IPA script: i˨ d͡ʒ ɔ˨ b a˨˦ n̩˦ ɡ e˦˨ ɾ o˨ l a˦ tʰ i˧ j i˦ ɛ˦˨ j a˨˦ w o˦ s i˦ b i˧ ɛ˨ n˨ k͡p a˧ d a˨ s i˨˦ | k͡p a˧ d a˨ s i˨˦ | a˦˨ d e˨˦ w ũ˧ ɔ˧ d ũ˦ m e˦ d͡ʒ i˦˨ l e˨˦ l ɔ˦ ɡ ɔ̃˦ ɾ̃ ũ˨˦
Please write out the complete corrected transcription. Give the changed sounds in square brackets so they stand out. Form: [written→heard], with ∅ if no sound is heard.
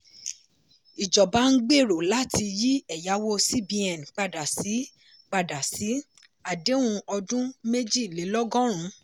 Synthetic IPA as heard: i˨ d͡ʒ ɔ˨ b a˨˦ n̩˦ [ɡ→ɡ͡b] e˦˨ ɾ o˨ l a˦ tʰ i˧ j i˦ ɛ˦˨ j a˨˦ w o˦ s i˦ b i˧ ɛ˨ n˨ k͡p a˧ d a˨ s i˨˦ | k͡p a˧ d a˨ s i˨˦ | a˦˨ d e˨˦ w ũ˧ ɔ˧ d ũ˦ m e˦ d͡ʒ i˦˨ l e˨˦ l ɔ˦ ɡ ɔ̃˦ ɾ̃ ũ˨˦

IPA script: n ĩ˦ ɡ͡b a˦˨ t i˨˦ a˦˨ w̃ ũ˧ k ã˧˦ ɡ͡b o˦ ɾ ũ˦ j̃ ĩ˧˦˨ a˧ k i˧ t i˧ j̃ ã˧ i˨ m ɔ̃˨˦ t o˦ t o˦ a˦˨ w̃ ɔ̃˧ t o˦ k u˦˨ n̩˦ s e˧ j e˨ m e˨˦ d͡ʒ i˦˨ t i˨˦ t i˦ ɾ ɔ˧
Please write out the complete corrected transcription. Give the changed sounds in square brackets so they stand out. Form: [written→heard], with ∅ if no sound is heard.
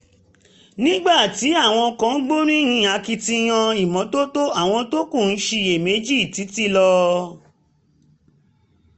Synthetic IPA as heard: n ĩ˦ ɡ͡b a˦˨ t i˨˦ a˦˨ w̃ [ũ˧→ɔ̃˧] k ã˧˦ ɡ͡b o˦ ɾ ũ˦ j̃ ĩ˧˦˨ a˧ k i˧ t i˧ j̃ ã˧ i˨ m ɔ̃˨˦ t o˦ t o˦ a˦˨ w̃ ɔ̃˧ t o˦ k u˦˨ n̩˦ [s→ʃ] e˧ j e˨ m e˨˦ d͡ʒ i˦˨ t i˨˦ t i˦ [ɾ→l] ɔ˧

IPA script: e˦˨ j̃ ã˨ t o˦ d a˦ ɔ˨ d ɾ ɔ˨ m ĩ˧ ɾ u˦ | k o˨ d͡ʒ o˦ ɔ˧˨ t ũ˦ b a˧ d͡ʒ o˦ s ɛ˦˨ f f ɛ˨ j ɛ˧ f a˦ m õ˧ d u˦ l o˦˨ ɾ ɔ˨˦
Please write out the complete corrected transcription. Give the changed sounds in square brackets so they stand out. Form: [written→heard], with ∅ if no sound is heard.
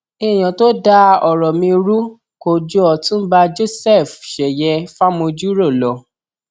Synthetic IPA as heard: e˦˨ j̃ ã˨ t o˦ d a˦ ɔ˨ [d→∅] ɾ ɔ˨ m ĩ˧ ɾ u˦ | k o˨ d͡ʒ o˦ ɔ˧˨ t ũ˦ b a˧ d͡ʒ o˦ s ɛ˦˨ f [f→ʃ] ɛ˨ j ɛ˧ f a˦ m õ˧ [d→d͡ʒ] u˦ [l→ɾ] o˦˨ [ɾ→l] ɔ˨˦

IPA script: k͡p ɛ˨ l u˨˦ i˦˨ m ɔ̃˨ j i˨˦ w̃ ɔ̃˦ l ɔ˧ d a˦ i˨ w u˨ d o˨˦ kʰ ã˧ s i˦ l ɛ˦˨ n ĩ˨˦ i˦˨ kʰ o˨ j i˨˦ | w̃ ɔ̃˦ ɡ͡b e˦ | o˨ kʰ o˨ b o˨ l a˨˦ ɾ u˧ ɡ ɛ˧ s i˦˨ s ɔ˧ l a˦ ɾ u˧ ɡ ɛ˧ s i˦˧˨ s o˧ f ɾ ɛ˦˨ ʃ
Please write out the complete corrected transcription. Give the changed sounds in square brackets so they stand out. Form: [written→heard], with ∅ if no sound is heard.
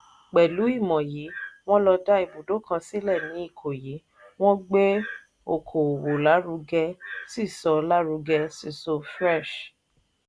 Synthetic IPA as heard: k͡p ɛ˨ l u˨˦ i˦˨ m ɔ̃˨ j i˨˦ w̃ ɔ̃˦ l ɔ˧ d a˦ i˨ [w→b] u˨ d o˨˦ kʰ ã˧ s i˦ l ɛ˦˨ n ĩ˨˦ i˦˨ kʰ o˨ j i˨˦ | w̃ ɔ̃˦ ɡ͡b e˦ | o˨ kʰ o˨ [b→w] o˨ l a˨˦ ɾ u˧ ɡ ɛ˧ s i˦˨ s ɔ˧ l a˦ ɾ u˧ ɡ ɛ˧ s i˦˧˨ s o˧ f ɾ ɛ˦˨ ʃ

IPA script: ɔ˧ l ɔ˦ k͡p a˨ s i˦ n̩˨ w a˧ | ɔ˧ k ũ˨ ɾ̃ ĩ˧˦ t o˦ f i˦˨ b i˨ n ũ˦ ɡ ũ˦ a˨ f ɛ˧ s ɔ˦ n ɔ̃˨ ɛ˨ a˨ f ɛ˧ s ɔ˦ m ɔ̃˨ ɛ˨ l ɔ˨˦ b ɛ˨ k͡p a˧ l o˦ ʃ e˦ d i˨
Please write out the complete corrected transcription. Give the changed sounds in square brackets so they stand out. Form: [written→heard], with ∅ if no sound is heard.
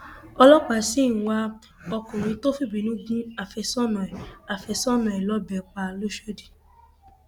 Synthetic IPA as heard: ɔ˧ l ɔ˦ k͡p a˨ s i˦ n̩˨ w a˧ | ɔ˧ k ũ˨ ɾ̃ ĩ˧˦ t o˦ f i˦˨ b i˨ n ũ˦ ɡ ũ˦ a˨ f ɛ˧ s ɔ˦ n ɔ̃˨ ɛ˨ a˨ f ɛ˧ s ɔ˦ [m→n] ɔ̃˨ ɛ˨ l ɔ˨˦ b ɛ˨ k͡p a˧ l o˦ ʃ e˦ d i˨

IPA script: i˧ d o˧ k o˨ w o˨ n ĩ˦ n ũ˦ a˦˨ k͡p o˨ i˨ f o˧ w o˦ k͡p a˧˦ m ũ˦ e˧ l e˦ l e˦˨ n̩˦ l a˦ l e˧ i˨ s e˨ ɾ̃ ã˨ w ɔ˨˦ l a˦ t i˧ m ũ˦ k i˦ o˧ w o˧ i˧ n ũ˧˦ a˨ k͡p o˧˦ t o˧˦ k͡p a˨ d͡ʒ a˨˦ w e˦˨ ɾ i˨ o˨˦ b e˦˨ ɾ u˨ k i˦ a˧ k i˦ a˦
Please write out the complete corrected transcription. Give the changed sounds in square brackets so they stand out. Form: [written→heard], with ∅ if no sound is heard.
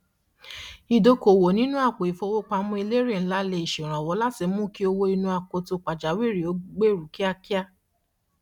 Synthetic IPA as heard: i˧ d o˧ k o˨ w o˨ n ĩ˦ n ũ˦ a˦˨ k͡p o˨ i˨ f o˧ w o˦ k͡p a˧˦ m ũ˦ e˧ l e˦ [l→ɾ] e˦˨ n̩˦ l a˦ l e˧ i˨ [s→ʃ] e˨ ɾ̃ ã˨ w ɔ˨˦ l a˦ t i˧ m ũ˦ k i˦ o˧ w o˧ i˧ n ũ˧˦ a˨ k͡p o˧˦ t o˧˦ k͡p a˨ d͡ʒ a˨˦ w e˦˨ ɾ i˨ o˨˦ [b→ɡ͡b] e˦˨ ɾ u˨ k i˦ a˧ k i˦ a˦

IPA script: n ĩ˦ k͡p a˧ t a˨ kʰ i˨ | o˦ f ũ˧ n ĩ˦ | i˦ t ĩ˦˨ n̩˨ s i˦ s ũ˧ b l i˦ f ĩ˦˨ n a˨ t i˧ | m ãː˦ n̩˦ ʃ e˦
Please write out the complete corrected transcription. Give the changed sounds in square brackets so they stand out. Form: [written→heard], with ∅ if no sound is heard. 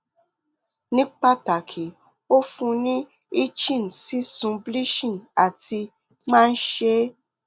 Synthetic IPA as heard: n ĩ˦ k͡p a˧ t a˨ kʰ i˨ | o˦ f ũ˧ n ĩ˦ | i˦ [t→t͡ʃ] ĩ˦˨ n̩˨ s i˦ s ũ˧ b l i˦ [f→ʃ] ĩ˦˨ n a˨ t i˧ | m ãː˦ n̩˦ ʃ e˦

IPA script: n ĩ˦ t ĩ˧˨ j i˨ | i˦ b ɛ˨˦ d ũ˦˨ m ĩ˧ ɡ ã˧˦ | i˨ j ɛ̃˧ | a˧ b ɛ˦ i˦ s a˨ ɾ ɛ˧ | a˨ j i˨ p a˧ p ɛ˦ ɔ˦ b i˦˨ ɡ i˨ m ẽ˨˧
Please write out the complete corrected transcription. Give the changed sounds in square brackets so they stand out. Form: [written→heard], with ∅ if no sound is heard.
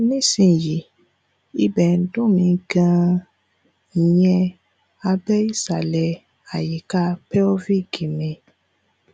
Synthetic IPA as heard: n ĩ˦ [t→s] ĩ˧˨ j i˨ | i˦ b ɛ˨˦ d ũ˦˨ m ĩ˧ ɡ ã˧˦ | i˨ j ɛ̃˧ | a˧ b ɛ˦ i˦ s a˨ [ɾ→l] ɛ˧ | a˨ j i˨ [p→k] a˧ p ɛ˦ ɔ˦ [b→v] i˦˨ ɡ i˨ m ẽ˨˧

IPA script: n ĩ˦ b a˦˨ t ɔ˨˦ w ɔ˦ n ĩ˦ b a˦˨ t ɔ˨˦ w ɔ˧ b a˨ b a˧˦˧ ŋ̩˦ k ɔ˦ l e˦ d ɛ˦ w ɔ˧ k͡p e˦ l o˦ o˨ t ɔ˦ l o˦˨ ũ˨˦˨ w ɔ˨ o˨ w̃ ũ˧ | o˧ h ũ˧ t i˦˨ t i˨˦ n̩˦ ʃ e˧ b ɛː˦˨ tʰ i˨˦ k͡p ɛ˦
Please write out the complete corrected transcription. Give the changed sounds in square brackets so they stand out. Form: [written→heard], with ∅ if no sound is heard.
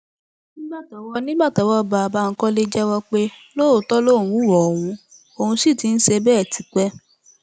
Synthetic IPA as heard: n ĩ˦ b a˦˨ t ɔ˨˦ w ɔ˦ n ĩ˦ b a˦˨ t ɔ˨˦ w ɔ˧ b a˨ b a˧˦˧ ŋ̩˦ k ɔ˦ l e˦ [d→d͡ʒ] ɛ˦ w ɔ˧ k͡p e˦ l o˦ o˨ t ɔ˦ l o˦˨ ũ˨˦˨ w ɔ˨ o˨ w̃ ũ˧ | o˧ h ũ˧ [t→s] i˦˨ t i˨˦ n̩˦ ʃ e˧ b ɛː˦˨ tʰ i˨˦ k͡p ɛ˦

